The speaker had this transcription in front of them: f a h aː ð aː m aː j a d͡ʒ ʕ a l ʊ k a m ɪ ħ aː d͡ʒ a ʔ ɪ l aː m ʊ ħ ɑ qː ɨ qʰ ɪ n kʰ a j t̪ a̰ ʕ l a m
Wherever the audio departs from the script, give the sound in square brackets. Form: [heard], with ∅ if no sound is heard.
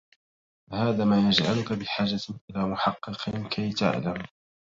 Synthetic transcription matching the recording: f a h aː ð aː m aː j a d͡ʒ ʕ a l ʊ k a [b] ɪ ħ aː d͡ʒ a ʔ ɪ l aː m ʊ ħ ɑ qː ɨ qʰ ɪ n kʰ a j t̪ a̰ ʕ l a m